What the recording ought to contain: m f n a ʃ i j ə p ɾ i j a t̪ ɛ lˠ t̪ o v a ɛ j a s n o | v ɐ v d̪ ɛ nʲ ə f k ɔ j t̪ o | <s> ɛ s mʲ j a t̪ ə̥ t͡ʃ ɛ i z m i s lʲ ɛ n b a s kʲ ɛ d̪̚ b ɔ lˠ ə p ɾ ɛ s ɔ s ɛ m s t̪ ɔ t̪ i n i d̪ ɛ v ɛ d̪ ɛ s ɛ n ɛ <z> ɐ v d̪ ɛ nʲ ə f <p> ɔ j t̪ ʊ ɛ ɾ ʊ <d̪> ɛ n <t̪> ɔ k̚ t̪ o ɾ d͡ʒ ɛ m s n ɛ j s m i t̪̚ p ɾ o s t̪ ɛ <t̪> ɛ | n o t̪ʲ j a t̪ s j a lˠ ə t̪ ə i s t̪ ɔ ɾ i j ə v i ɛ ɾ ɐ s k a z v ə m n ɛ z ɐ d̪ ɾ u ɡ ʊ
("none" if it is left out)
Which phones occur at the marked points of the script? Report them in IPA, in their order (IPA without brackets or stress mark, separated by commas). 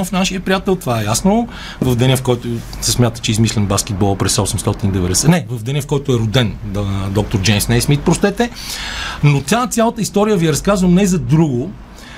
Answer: s, v, k, d̪, d̪, t̪